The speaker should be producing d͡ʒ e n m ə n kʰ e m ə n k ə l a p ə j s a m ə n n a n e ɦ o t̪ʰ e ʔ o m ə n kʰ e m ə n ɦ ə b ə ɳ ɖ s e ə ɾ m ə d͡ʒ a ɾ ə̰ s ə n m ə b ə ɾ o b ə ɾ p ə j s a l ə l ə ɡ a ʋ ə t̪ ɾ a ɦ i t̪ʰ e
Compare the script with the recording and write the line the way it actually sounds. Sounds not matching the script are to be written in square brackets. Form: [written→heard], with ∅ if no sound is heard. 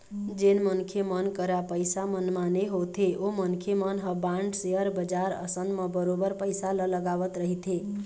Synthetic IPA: d͡ʒ e n m ə n kʰ e m ə n k ə [l→ɾ] a p ə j s a m ə n [n→m] a n e ɦ o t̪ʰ e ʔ o m ə n kʰ e m ə n ɦ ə b [ə→a] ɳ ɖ s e ə ɾ [m→b] ə d͡ʒ a ɾ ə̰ s ə n m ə b ə ɾ o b ə ɾ p ə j s a l ə l ə ɡ a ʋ ə t̪ ɾ [a→ə] ɦ i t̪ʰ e